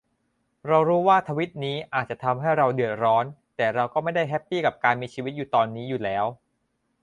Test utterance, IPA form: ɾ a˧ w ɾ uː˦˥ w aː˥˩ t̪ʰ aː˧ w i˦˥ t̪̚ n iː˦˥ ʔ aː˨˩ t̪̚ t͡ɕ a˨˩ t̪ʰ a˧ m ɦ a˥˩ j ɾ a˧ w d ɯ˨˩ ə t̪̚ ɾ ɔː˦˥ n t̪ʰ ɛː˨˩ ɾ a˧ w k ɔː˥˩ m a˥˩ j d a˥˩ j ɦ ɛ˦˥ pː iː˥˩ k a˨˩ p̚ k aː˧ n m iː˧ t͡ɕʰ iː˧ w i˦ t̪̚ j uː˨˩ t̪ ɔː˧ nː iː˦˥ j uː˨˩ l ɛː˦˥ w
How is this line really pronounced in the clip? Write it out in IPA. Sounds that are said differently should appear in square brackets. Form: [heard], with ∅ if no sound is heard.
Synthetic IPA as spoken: ɾ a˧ w ɾ uː˦˥ w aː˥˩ t̪ʰ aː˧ w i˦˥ t̪̚ n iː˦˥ ʔ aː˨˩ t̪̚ t͡ɕ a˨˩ t̪ʰ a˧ m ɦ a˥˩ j ɾ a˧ w d ɯ˨˩ ə t̪̚ ɾ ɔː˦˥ n [t̪] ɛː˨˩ ɾ a˧ w k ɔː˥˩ m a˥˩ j d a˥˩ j ɦ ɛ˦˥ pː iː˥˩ k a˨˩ p̚ k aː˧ n m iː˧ t͡ɕʰ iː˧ w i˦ t̪̚ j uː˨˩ t̪ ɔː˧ nː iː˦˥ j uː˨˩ l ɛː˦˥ w